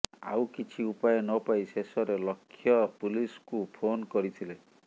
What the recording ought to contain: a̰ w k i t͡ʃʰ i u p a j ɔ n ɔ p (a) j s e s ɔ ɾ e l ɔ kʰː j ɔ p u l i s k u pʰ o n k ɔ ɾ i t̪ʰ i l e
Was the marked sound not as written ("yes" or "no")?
no